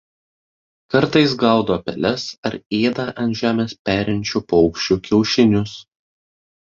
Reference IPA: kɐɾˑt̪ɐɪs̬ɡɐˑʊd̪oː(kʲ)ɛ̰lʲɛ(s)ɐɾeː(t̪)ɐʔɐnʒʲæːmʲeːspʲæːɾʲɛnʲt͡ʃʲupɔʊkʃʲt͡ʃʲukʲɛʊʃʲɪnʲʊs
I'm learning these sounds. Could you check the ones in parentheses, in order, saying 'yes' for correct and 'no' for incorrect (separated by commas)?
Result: no, yes, no